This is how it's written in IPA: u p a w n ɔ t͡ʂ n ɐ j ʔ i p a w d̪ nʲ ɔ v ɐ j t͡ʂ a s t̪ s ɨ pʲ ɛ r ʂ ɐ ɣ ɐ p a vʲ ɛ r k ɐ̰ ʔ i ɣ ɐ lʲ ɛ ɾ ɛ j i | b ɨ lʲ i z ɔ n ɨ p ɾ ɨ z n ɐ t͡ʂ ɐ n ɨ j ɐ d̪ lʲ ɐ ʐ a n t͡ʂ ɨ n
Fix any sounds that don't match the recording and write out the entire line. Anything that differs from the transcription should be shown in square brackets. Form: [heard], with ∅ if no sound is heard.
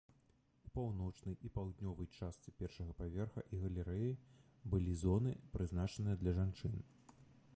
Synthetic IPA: u p a w n ɔ t͡ʂ n ɐ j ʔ i p a w d̪ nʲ ɔ v ɐ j t͡ʂ a s t̪ s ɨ pʲ ɛ r ʂ ɐ ɣ ɐ p a vʲ ɛ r [x] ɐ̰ ʔ i ɣ ɐ lʲ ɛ ɾ ɛ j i | b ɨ lʲ i z ɔ n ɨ p ɾ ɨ z n [a] t͡ʂ ɐ n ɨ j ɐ d̪ lʲ ɐ ʐ a n t͡ʂ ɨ n

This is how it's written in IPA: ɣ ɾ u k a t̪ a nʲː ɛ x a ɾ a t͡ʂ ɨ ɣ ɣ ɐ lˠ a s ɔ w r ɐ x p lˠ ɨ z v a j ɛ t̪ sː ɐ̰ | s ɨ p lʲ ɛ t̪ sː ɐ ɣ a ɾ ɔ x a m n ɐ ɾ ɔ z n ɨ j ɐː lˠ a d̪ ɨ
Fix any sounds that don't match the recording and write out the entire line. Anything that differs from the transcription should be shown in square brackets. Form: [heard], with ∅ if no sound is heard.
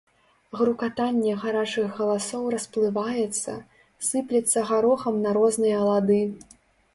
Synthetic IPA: ɣ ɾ u k a t̪ a nʲː ɛ [ɣ] a ɾ a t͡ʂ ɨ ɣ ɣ ɐ lˠ a s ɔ w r ɐ [s] p lˠ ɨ [∅] v a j ɛ t̪ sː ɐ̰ | s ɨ p lʲ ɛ t̪ sː ɐ ɣ a ɾ ɔ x [ɐ] m n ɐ ɾ ɔ z n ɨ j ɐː lˠ a d̪ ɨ

